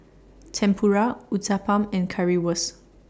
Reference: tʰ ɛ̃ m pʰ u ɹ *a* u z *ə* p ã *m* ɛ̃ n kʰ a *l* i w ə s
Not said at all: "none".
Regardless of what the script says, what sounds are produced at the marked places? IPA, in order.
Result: a, a, m, ɹ

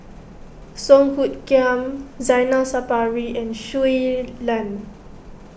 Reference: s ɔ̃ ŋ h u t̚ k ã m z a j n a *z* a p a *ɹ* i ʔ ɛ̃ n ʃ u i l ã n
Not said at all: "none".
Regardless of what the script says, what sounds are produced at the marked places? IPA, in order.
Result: s, ɹ

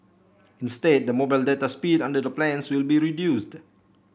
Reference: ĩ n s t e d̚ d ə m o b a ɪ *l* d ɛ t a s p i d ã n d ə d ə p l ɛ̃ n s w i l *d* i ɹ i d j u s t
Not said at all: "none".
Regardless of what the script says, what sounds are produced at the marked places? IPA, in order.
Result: l, b

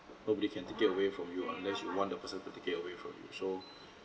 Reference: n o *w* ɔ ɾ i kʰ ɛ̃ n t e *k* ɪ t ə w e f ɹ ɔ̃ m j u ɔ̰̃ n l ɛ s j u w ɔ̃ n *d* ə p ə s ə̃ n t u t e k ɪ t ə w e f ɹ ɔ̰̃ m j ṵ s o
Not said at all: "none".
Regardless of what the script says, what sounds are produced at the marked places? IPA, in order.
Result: b, k, d

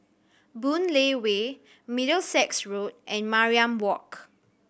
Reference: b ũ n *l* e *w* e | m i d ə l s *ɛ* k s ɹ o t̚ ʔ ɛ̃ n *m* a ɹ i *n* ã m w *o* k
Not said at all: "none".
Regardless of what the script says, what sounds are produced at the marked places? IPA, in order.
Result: l, w, ɛ, m, none, ɔ

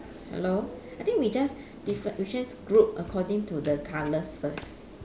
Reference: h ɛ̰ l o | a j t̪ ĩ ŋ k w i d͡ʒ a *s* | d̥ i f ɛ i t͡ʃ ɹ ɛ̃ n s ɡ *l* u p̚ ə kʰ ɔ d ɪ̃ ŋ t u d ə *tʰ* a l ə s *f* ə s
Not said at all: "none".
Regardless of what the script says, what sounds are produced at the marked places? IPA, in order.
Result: s, ɹ, kʰ, f

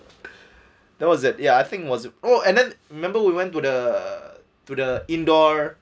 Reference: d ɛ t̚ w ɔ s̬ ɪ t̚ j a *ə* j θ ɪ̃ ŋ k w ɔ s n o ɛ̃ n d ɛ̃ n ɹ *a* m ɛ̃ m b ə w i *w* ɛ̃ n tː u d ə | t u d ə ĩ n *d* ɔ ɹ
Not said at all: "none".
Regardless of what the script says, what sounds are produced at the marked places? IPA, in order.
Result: a, i, w, d

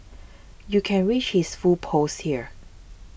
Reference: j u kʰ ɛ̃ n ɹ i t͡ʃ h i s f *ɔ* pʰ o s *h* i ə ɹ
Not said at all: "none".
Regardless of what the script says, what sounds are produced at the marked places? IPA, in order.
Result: u, h

